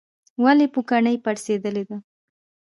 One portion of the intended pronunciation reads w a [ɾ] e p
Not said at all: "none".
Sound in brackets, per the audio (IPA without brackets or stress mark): l